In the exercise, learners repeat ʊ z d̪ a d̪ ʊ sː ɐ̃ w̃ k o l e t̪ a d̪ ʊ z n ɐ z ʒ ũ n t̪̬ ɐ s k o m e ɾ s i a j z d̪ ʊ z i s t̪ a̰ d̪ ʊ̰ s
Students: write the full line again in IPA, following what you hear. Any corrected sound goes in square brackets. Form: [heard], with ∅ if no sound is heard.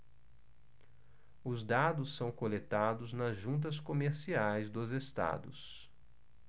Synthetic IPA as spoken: ʊ z d̪ a d̪ ʊ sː ɐ̃ w̃ k o l e t̪ a d̪ ʊ z n ɐ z ʒ ũ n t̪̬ ɐ s k o m e ɾ s i a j z d̪ ʊ z [e] s t̪ a̰ d̪ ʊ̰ s